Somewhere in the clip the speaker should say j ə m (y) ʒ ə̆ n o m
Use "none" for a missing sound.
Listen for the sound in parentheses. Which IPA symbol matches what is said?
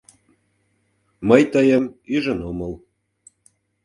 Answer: y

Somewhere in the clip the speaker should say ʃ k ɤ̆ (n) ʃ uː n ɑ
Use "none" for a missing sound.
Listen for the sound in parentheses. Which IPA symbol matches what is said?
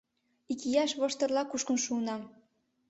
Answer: n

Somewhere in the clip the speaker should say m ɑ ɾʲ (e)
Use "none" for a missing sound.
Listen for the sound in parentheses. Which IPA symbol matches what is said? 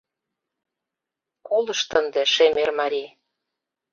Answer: i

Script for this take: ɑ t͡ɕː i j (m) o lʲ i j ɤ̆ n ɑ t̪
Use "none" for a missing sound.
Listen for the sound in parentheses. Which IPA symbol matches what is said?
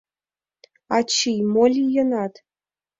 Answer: m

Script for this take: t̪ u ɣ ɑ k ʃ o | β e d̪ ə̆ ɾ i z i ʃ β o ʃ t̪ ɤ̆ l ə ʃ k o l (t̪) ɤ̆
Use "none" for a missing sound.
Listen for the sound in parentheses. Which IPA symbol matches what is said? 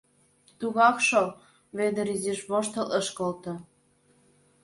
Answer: t̪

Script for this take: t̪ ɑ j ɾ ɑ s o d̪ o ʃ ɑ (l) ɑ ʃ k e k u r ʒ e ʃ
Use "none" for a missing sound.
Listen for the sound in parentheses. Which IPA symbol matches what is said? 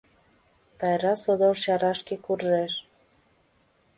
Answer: ɾ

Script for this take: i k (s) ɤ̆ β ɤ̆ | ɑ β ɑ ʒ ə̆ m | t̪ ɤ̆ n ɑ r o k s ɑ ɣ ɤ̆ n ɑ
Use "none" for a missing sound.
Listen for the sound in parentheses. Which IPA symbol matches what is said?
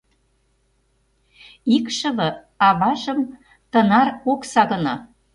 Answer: ʃ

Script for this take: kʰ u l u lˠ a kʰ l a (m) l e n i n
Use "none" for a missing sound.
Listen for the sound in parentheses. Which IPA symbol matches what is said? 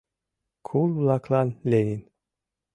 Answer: n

